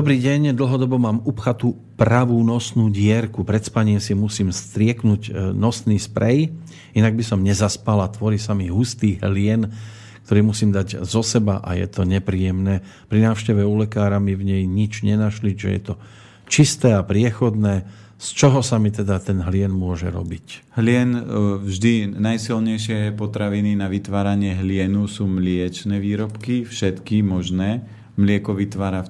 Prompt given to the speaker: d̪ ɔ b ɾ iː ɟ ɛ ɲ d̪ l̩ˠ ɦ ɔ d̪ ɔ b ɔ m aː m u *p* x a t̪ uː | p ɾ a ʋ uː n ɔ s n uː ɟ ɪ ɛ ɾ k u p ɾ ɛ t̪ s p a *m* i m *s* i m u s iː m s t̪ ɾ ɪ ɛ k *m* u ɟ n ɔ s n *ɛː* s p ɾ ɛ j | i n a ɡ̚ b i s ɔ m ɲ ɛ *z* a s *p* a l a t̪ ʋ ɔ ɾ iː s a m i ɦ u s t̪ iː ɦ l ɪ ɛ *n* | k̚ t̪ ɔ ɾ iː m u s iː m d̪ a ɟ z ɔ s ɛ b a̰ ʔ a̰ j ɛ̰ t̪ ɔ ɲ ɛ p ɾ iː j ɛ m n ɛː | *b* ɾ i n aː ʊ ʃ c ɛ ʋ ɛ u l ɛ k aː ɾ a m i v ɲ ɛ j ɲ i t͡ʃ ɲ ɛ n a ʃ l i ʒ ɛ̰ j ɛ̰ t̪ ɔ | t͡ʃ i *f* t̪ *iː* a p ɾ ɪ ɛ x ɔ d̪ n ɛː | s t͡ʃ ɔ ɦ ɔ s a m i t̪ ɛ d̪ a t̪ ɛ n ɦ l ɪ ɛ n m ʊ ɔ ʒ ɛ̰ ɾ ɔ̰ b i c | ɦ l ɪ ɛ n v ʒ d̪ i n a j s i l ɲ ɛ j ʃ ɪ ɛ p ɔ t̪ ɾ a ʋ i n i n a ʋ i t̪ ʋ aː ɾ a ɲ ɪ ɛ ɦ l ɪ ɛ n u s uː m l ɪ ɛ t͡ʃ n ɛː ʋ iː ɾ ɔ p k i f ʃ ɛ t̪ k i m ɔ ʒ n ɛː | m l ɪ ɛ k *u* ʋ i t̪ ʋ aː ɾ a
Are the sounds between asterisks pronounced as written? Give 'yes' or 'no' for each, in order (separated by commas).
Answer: yes, no, yes, no, no, yes, yes, yes, no, no, no, no